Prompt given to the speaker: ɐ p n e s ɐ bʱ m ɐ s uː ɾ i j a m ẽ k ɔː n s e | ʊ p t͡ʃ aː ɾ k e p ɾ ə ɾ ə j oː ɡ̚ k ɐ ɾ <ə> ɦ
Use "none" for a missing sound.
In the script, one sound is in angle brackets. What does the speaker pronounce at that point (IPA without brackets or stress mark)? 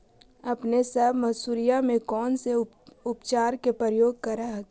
a